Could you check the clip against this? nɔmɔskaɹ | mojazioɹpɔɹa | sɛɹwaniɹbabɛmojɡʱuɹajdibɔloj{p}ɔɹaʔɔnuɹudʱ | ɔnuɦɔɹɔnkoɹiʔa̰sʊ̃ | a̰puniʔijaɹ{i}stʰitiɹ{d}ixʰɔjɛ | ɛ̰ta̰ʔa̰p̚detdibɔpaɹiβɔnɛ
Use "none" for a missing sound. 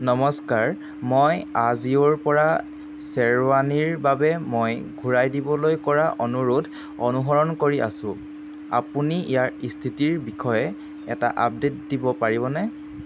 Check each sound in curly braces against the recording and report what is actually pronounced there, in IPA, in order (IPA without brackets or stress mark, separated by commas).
k, i, b